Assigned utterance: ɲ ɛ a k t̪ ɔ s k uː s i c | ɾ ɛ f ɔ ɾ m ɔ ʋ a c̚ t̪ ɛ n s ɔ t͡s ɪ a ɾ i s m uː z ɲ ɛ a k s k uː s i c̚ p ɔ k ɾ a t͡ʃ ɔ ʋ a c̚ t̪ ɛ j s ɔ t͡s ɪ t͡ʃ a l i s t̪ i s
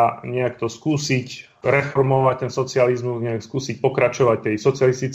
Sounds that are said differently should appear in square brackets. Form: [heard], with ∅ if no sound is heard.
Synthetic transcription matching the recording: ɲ ɛ a k t̪ ɔ s k uː s i c | ɾ ɛ f ɔ ɾ m ɔ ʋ a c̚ t̪ ɛ n s ɔ t͡s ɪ a [l] i [z] m [u] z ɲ ɛ a k s k uː s i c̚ p ɔ k ɾ a t͡ʃ ɔ ʋ a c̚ t̪ ɛ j s ɔ t͡s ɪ [∅] a l i s t̪ i [t͡s]